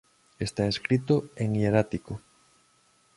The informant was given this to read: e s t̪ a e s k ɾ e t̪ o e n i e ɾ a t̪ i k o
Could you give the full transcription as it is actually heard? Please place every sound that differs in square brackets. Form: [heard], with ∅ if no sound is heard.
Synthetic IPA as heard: e s t̪ a e s k ɾ [i] t̪ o e [ŋ] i e ɾ a t̪ i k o